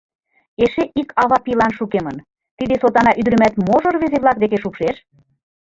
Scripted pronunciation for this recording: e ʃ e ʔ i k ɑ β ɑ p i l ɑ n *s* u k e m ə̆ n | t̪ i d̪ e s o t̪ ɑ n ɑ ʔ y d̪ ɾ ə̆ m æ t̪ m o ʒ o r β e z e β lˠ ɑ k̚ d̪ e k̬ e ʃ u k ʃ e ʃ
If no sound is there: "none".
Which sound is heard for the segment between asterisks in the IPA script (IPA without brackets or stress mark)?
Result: ʃ